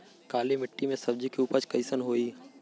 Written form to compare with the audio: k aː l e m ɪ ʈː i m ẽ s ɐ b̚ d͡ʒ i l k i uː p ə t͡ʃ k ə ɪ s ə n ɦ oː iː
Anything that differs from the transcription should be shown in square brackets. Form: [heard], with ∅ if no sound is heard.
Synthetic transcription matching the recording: k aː l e m ɪ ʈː i m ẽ s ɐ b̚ d͡ʒ i [∅] k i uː p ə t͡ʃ k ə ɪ s ə n ɦ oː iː